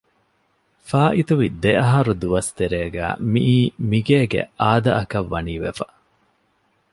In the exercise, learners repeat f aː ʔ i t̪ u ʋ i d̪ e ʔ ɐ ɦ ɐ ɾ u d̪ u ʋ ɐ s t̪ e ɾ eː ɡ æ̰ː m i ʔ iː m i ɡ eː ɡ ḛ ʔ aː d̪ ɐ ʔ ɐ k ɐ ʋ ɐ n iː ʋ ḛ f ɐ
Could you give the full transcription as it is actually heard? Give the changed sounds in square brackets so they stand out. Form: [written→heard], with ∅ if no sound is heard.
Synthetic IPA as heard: f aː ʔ i t̪ u ʋ i d̪ e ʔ ɐ ɦ ɐ ɾ u d̪ u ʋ ɐ s t̪ e ɾ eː ɡ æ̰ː m i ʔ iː m i ɡ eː ɡ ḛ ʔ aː d̪ ɐ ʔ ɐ k ɐ [ʋ→ʋː] ɐ n iː ʋ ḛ f ɐ